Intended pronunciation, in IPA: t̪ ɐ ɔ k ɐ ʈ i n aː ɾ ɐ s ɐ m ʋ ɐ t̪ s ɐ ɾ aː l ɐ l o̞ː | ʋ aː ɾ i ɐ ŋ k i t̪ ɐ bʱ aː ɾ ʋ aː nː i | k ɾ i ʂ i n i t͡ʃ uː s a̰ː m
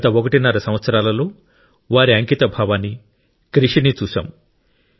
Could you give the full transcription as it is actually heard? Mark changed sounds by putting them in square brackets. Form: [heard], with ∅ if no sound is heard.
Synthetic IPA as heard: t̪ ɐ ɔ k ɐ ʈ i n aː ɾ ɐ s ɐ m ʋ ɐ t̪ s ɐ ɾ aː l ɐ l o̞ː | ʋ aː ɾ i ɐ ŋ k i t̪ ɐ bʱ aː [∅] ʋ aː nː i | k ɾ i ʂ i n i t͡ʃ uː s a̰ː m